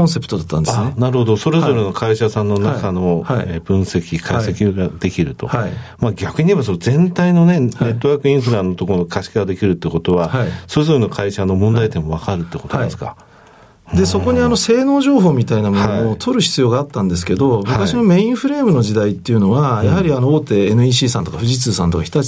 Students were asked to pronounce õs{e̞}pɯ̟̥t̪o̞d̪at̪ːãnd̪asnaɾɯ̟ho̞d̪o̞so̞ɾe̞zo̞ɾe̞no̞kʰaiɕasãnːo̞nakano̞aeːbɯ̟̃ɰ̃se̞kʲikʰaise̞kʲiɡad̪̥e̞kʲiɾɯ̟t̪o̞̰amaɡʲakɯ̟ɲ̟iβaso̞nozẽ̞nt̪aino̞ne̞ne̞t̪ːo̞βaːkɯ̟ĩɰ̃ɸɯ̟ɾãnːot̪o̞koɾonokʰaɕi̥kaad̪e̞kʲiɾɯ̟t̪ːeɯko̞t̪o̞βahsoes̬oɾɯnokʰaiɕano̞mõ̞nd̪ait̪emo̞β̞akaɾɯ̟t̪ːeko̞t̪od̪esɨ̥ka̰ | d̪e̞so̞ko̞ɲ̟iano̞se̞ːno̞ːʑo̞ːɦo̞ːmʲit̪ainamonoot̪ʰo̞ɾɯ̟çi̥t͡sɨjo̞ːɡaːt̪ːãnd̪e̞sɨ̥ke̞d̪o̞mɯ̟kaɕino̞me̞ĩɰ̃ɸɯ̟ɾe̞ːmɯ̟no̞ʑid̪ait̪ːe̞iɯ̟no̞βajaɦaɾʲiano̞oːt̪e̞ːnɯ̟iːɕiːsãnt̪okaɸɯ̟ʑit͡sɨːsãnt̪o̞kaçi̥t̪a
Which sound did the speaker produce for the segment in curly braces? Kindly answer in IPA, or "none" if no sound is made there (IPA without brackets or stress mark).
e̞